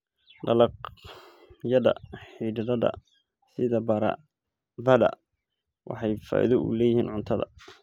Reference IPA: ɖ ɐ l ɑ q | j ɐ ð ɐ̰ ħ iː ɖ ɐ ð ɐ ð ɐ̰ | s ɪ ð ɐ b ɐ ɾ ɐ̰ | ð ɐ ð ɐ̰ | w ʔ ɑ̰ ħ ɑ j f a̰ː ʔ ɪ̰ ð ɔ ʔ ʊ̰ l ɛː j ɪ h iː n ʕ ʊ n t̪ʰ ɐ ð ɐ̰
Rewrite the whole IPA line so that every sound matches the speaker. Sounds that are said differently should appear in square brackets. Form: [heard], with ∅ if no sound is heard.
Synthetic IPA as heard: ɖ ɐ l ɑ q | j ɐ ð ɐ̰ ħ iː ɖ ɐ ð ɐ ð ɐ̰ | s ɪ ð ɐ b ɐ ɾ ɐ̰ | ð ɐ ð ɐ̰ | w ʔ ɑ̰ ħ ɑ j f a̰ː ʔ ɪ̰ ð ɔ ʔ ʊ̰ l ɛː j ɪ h iː n ʕ ʊ n t̪ʰ ɐ ð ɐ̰

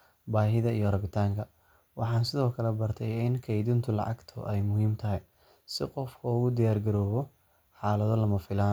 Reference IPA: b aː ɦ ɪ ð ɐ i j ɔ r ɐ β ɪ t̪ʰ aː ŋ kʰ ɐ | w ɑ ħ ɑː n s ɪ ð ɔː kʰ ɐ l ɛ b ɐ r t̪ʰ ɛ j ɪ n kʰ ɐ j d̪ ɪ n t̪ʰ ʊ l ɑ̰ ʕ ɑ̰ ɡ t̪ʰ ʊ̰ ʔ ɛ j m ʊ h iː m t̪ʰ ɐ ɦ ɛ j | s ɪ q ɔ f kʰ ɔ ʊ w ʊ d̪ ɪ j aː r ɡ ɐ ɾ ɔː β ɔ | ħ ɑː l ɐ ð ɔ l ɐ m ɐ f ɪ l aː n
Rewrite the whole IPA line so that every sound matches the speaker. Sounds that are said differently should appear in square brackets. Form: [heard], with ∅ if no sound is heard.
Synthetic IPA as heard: b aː ɦ ɪ ð ɐ i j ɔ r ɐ β ɪ t̪ʰ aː ŋ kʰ ɐ | w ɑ ħ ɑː n s ɪ ð ɔː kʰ ɐ l ɛ b ɐ r t̪ʰ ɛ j ɪ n kʰ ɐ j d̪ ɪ n t̪ʰ ʊ l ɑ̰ ʕ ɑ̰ ɡ t̪ʰ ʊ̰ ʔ ɛ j m ʊ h iː m t̪ʰ ɐ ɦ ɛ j | s ɪ q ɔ f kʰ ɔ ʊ [ɣ] ʊ d̪ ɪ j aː r ɡ ɐ ɾ ɔː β ɔ | ħ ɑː l ɐ ð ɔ l ɐ m ɐ f ɪ l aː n

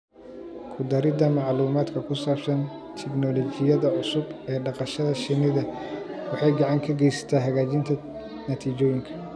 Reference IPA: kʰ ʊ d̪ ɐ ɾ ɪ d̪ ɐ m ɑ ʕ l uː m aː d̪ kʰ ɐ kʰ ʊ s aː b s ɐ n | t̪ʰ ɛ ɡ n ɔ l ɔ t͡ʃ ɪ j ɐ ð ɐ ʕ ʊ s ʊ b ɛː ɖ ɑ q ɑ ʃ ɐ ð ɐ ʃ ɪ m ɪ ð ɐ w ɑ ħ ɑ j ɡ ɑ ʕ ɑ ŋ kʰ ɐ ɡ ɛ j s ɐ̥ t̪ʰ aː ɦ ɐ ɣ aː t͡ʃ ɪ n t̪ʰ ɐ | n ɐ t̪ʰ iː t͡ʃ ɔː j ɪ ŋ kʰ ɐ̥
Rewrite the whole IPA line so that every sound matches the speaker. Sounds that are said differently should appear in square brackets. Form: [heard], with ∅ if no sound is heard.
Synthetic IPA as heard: kʰ ʊ d̪ ɐ ɾ ɪ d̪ ɐ m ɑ ʕ l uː m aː d̪ kʰ ɐ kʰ ʊ s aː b s ɐ n | t̪ʰ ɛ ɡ n ɔ l ɔ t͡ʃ ɪ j ɐ ð ɐ ʕ ʊ s ʊ b ɛː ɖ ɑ q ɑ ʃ ɐ ð ɐ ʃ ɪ [n] ɪ ð ɐ w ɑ ħ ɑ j ɡ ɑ ʕ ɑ ŋ kʰ ɐ ɡ ɛ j s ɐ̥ t̪ʰ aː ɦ ɐ ɣ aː t͡ʃ ɪ n t̪ʰ ɐ | n ɐ t̪ʰ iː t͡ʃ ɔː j ɪ ŋ kʰ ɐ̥

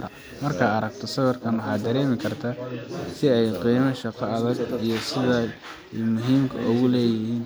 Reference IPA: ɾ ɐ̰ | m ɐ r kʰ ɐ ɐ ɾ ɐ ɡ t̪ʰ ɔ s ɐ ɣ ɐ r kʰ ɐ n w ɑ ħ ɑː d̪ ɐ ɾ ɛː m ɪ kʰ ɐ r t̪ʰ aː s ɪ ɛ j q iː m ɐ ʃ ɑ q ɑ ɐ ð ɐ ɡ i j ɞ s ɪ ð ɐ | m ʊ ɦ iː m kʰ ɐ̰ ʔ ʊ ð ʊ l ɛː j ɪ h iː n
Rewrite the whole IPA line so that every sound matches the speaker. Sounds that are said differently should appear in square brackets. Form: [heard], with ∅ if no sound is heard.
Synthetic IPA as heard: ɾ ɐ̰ | m ɐ r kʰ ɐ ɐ ɾ ɐ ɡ t̪ʰ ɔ s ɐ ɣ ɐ r kʰ ɐ n w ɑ ħ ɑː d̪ ɐ ɾ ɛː m ɪ kʰ ɐ r t̪ʰ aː s ɪ ɛ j q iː m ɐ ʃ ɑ q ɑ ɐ ð ɐ ɡ i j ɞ s ɪ ð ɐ | m ʊ ɦ iː m kʰ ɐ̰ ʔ ʊ [ɣ] ʊ l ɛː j ɪ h iː n

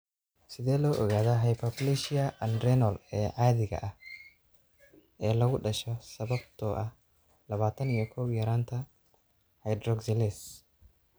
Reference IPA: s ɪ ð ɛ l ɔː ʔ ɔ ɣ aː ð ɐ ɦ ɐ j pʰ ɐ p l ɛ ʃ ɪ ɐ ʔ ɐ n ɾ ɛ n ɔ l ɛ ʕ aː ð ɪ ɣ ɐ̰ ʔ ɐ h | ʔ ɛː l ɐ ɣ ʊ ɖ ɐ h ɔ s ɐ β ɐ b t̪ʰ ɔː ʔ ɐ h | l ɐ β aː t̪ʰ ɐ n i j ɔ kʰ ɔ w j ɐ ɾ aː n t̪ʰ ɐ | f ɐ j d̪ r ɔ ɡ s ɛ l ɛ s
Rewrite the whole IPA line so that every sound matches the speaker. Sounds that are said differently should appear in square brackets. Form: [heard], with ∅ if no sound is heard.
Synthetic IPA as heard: s ɪ ð [ɛː] l ɔː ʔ ɔ ɣ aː ð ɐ ɦ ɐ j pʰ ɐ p l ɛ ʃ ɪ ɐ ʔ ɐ n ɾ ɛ n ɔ l [ɛː] ʕ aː ð ɪ ɣ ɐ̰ ʔ ɐ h | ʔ ɛː l ɐ ɣ ʊ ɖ ɐ [ʃ] ɔ s ɐ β ɐ b t̪ʰ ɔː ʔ ɐ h | l ɐ β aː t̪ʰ ɐ n i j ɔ kʰ ɔ w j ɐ ɾ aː n t̪ʰ ɐ | [h] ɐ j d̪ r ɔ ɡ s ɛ l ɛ s

